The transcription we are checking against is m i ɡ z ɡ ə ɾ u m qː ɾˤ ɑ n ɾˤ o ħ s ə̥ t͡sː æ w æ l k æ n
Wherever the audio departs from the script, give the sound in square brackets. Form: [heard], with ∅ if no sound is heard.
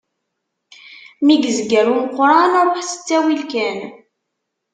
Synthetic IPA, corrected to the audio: m i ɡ z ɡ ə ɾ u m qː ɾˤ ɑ n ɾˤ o ħ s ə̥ t͡sː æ w [i] l k æ n